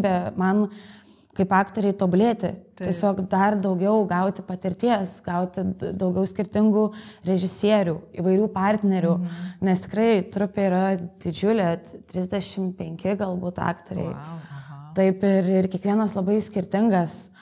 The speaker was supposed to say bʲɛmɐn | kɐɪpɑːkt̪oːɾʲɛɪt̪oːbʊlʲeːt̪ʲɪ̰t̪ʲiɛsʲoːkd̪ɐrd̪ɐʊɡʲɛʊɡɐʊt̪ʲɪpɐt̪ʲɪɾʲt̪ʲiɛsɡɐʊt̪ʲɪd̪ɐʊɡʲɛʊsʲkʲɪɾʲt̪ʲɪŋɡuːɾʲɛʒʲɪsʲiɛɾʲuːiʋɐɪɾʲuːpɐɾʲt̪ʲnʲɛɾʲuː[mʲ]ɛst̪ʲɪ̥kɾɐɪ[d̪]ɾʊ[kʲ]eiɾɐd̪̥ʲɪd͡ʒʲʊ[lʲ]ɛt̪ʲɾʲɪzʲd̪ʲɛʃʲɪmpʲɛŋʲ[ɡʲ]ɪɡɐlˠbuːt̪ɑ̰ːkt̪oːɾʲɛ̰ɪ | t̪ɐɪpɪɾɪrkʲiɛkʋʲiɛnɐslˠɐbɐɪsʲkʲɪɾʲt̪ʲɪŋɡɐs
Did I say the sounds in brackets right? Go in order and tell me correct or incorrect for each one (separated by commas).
incorrect, incorrect, incorrect, correct, incorrect